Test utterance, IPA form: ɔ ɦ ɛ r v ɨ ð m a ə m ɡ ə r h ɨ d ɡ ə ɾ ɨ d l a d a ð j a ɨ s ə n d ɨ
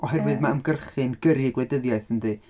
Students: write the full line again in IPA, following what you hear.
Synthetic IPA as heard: ɔ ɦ ɛ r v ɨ ð m a ə m ɡ ə r χ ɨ n ɡ ə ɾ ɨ ɡ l ɛ d ə ð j a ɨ θ ə n d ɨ

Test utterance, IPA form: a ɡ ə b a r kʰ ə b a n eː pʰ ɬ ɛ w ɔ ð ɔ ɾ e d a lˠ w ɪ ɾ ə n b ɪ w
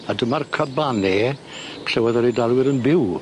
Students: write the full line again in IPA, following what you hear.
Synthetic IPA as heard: a d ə m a r kʰ ə b a n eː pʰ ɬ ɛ w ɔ ð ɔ ɾ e d a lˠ w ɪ ɾ ə n b ɪ w

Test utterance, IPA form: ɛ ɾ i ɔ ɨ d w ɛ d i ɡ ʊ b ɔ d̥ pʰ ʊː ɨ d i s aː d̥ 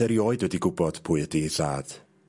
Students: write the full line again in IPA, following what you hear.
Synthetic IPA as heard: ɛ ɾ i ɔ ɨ d w ɛ d i ɡ ʊ b ɔ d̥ pʰ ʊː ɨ d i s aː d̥

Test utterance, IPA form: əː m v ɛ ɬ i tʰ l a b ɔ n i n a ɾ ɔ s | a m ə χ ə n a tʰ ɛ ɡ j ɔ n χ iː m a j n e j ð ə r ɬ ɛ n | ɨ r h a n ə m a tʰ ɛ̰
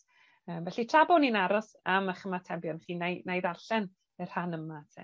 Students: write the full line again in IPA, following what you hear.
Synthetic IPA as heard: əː m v ɛ ɬ i tʰ r a b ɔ n i n a ɾ ɔ s | a m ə χ ə m a tʰ ɛ b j ɔ n χ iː n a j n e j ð a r ɬ ɛ n | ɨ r h a n ə m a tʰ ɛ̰

